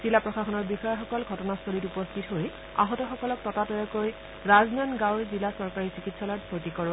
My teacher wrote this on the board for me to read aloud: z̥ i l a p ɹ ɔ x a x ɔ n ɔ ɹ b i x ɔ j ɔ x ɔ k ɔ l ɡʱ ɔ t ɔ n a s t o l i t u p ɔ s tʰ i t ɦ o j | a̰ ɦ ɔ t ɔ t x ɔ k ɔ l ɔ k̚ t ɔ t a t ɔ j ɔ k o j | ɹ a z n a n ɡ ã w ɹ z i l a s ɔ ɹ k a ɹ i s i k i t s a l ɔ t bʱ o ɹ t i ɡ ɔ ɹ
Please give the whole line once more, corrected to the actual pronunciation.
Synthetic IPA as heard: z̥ i l a p ɹ ɔ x a x ɔ n ɔ ɹ b i x ɔ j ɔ x ɔ k ɔ l ɡʱ ɔ t ɔ n a s t o l i t u p ɔ s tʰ i t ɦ o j | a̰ ɦ ɔ t ɔ x ɔ k ɔ l ɔ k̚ t ɔ t a t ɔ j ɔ k o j | ɹ a z n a n ɡ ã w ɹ z i l a s ɔ ɹ k a ɹ i s i k i t s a l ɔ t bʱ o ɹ t i k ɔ ɹ